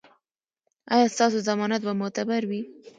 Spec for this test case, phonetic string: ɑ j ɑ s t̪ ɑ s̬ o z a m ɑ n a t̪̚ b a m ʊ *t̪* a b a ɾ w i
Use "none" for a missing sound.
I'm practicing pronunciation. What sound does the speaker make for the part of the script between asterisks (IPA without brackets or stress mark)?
t̪